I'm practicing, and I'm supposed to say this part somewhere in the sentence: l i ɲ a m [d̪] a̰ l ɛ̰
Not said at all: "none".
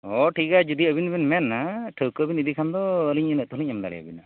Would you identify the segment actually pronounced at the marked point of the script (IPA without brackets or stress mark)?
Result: d̪